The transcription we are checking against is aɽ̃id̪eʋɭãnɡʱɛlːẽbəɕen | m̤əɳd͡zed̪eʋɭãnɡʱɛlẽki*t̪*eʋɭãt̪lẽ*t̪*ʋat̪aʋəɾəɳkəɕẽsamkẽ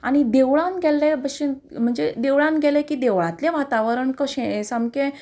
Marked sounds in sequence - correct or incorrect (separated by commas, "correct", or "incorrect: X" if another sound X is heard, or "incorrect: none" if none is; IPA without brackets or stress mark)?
incorrect: d̪, incorrect: none